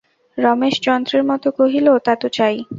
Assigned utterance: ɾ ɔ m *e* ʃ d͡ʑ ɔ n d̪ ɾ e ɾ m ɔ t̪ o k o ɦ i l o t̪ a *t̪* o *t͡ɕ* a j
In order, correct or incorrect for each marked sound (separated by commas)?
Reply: correct, correct, correct